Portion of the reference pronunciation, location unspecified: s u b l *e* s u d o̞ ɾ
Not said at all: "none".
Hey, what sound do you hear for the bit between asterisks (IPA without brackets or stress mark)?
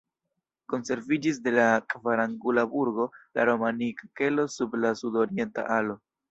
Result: a